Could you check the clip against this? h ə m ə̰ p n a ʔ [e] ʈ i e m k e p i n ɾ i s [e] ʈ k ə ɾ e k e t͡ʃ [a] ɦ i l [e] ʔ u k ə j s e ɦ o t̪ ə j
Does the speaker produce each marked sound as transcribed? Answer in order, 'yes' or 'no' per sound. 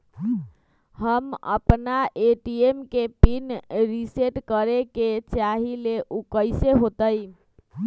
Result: yes, yes, yes, yes

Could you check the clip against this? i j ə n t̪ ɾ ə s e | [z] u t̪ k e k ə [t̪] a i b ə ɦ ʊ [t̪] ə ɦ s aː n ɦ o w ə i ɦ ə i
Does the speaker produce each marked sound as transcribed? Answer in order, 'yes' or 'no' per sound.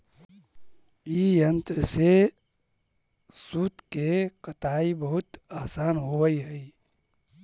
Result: no, yes, yes

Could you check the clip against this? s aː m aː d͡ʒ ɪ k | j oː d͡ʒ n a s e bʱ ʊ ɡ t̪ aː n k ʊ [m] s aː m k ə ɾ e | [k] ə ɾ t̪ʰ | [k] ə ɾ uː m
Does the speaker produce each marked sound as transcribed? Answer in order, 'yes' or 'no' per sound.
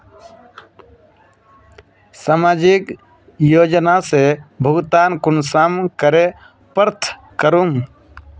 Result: no, no, yes

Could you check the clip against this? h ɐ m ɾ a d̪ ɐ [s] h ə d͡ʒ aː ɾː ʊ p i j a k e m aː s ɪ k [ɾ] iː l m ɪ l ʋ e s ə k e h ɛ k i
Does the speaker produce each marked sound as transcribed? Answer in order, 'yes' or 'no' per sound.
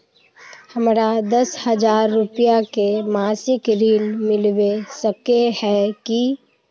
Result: yes, yes

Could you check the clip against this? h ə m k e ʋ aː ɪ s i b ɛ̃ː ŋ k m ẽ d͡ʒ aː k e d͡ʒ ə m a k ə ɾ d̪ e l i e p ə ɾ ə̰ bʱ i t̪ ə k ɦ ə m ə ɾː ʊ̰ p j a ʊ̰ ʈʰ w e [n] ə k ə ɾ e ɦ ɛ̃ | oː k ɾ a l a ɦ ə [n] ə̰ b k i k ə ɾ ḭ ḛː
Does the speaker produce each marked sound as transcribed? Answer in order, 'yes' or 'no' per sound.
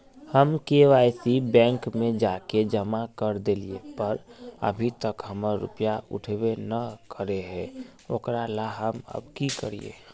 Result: yes, no

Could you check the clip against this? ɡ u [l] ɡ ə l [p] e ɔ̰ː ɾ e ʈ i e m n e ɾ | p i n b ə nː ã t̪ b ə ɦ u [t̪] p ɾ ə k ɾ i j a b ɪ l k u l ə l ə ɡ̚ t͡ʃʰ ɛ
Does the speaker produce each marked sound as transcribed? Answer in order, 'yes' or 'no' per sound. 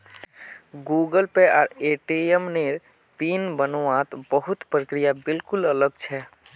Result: no, yes, yes

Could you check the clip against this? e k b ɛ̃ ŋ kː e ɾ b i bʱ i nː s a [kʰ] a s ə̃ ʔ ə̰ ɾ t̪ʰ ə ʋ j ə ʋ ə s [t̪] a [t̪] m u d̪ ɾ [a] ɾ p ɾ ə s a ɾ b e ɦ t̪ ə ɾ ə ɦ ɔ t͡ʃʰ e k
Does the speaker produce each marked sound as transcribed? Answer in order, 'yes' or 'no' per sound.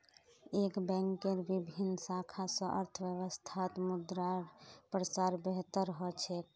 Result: yes, no, yes, yes

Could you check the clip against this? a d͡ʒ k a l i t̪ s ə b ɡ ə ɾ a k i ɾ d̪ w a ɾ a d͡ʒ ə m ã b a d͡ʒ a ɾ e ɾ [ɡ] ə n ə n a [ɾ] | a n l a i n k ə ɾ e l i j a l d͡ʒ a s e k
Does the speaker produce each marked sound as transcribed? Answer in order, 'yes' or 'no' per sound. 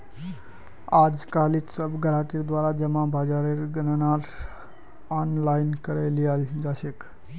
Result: yes, yes

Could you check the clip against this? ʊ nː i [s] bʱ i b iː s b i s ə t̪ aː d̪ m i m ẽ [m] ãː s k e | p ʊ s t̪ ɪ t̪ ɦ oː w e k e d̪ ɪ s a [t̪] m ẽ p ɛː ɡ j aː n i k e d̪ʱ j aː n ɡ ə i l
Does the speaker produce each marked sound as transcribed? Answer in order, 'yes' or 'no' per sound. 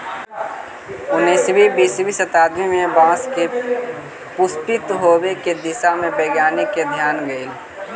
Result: yes, no, no

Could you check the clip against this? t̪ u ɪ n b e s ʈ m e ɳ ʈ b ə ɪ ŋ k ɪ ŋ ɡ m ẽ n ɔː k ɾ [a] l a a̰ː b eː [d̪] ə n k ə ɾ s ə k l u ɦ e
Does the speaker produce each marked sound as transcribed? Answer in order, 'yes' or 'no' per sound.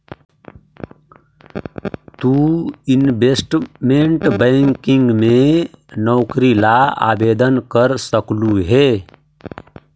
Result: no, yes

